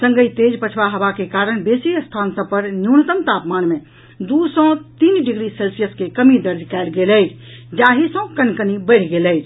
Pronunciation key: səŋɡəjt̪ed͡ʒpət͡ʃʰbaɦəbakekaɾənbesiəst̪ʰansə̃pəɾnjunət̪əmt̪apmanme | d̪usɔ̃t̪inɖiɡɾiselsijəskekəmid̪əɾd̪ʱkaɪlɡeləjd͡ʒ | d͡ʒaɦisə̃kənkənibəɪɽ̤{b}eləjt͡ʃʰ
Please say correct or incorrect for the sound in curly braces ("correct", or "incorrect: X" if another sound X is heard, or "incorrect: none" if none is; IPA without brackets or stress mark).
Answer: incorrect: ɡ